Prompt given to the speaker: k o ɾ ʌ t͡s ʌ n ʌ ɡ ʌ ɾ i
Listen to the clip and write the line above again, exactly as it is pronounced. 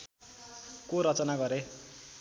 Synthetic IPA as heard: k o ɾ ʌ t͡s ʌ n a ɡ ʌ ɾ e